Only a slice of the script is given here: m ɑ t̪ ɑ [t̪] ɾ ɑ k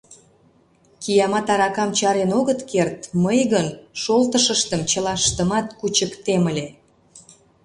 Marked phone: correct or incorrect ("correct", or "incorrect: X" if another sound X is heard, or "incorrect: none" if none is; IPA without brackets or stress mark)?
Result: incorrect: none